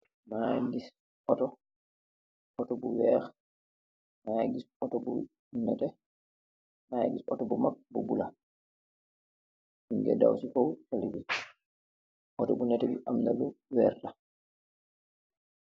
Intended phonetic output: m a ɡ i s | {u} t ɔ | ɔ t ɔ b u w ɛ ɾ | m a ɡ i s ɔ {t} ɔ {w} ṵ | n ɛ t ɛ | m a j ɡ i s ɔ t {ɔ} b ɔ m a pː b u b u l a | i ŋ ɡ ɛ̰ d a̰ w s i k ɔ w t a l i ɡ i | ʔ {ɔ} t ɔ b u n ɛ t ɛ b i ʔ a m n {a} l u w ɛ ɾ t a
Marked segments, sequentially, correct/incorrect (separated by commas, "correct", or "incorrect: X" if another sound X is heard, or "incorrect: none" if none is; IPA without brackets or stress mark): incorrect: ɔ, correct, incorrect: b, correct, correct, correct